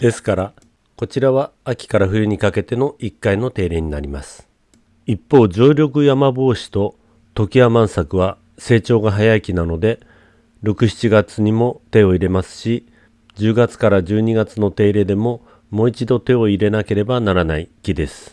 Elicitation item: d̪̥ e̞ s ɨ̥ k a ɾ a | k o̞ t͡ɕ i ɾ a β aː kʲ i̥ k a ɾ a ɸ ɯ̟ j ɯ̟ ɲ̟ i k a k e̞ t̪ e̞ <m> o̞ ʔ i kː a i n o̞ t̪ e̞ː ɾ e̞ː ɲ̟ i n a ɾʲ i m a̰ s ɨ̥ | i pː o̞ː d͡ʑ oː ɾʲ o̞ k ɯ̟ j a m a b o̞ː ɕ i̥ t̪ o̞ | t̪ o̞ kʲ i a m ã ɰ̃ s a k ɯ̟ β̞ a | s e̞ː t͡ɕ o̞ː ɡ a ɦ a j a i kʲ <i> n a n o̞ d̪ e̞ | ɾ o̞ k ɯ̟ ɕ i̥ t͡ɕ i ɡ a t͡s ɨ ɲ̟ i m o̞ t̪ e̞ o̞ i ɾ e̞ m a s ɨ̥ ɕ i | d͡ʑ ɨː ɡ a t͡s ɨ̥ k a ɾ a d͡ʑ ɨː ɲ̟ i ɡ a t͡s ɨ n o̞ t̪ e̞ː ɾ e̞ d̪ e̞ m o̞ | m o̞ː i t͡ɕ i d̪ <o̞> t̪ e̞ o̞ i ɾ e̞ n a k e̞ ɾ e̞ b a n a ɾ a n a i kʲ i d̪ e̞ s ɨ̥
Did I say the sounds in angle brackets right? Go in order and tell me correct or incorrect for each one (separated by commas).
incorrect, correct, correct